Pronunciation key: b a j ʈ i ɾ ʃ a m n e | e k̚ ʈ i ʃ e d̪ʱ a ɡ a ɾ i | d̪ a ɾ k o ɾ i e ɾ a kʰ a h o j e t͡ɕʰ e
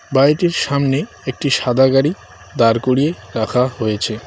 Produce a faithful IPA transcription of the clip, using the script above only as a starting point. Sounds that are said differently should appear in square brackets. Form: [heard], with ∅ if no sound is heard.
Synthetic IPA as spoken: b a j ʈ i ɾ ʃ a m n e | e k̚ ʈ i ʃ [a] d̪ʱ a ɡ a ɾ i | d̪ a ɾ k o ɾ i e ɾ a kʰ a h o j e t͡ɕʰ e